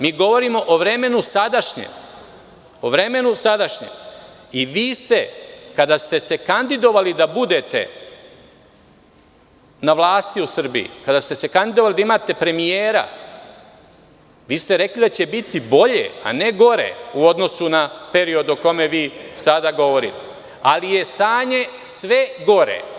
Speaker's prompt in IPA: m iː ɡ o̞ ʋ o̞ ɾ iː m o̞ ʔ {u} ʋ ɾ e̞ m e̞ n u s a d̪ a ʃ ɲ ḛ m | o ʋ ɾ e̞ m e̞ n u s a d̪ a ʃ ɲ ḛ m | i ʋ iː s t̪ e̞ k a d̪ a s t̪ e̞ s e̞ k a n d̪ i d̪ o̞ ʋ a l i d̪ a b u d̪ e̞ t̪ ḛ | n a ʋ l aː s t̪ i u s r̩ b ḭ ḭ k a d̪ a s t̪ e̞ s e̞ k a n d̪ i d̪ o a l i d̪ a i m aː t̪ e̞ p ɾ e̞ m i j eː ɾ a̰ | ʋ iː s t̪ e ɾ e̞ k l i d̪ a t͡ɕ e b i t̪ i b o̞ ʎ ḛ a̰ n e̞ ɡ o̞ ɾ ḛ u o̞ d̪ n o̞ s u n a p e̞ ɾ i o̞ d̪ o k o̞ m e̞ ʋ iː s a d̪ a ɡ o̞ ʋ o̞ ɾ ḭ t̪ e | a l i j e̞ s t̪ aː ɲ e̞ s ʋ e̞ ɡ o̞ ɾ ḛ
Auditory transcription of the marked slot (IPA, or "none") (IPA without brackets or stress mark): o